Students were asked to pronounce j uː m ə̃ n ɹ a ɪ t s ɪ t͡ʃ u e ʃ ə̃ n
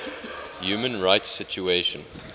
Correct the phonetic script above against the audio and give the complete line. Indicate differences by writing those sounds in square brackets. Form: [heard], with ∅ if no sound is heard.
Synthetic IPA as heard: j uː m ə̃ n ɹ a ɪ t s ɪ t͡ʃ u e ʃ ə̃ n

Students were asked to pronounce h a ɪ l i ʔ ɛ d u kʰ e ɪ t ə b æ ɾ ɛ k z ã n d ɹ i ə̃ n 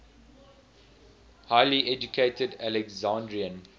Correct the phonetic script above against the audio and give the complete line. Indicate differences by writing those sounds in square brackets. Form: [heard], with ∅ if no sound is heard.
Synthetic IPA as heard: h a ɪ l i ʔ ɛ [d͡ʒ] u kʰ e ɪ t ə [d] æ [l] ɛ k z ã n d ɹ i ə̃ n

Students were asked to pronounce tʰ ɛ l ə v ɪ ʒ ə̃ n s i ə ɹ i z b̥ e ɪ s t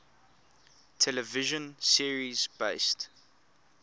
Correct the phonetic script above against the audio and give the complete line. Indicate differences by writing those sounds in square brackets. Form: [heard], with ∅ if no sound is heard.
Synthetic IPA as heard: tʰ ɛ l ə v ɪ ʒ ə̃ n s i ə ɹ i z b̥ e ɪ s t

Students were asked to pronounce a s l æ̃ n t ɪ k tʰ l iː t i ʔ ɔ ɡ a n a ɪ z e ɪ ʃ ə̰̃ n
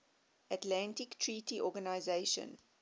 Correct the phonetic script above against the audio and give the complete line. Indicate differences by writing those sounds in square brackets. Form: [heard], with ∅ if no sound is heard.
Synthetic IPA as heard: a [t] l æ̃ n t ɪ k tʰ [ɹ] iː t i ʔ ɔ ɡ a n a ɪ z e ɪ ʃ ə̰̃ n

